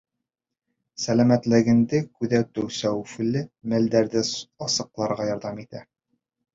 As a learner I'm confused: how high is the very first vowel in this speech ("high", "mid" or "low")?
low